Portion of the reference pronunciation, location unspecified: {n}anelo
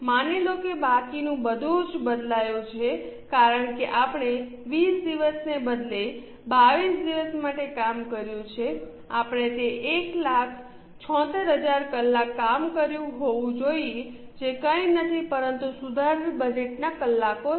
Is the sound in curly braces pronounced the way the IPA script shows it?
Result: no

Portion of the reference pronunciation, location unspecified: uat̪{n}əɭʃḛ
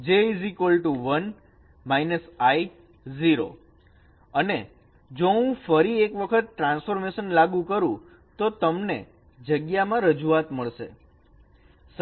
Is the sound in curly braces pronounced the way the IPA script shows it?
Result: no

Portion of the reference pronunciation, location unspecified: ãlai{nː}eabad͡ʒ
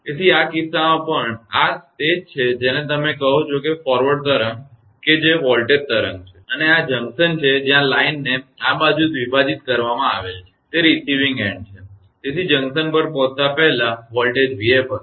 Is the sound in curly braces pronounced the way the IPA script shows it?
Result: yes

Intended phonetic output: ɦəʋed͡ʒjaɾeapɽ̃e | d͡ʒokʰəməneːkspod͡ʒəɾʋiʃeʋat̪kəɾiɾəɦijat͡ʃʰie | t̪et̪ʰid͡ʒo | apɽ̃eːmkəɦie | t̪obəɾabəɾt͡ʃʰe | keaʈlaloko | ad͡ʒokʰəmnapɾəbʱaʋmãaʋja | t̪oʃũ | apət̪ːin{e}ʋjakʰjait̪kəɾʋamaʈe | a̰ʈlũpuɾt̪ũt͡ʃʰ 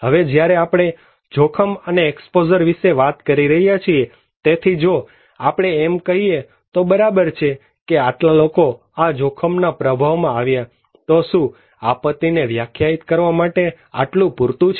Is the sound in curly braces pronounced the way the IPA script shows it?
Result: yes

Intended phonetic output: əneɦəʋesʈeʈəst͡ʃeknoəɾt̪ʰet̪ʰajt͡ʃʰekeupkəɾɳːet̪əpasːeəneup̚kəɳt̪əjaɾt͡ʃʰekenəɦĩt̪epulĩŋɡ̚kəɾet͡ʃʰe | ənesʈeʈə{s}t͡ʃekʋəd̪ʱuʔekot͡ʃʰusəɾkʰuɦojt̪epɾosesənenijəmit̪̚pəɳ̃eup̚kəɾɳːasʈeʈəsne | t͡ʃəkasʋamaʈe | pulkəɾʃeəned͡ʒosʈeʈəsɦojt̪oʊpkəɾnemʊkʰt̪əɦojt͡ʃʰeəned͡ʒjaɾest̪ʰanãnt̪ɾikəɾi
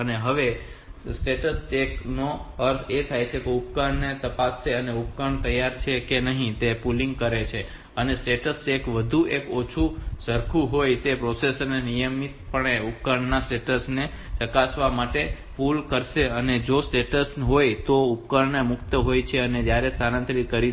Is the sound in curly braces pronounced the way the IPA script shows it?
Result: yes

